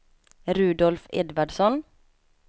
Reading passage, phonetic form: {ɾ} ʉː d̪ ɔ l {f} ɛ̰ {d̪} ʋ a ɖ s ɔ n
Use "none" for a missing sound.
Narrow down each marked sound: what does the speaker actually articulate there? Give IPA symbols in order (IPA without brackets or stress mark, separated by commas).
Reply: ɾ, f, d̪